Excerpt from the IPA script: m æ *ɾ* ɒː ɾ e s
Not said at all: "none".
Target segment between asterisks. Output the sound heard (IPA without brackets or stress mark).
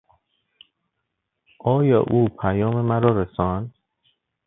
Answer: ɾ